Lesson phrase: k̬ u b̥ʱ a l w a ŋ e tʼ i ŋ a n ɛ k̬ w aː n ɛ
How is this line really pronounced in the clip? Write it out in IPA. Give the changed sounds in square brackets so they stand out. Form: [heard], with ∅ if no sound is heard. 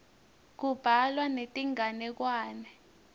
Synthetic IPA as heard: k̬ u b̥ʱ a l w a [n] e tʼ i ŋ a n ɛ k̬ w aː n ɛ